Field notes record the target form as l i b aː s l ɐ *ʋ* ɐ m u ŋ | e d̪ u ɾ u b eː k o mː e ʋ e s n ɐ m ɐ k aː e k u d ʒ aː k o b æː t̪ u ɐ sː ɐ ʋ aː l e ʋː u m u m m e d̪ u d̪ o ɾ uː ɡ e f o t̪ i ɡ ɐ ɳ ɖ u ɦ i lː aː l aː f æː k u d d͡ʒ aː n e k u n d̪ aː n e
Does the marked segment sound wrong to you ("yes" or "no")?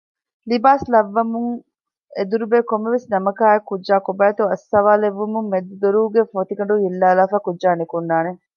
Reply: yes